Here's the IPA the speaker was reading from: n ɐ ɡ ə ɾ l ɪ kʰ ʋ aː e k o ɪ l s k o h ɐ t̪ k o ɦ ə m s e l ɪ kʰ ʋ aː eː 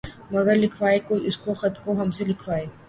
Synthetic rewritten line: m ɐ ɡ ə ɾ l ɪ kʰ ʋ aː e k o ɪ s k o x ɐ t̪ k o ɦ ɐ m s e l ɪ kʰ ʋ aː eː